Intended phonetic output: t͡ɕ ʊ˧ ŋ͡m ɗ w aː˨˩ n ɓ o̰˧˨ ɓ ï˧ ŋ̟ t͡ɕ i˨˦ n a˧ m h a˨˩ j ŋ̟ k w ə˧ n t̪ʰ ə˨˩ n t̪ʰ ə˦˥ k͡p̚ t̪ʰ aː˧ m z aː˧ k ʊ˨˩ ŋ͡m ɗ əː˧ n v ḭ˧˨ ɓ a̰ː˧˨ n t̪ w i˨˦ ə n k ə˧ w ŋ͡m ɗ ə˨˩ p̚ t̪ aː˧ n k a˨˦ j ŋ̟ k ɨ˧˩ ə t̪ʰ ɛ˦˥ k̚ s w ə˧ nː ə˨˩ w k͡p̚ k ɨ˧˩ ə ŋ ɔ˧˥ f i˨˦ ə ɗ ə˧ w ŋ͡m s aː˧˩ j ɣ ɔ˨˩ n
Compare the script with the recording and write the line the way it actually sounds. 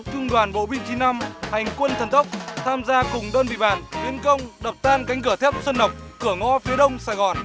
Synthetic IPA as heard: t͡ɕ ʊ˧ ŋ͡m ɗ w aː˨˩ n ɓ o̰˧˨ ɓ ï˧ ŋ̟ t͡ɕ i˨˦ n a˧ m h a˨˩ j ŋ̟ k w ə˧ n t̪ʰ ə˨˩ n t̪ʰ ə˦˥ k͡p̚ t̪ʰ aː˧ m z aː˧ k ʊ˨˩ ŋ͡m ɗ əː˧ n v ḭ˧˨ ɓ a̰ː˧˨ n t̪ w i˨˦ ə n k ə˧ w ŋ͡m ɗ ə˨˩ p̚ t̪ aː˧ n k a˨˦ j ŋ̟ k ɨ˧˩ ə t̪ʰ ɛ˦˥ p̚ s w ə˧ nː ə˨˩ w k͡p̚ k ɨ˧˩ ə ŋ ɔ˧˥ f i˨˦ ə ɗ ə˧ w ŋ͡m s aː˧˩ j ɣ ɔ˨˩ n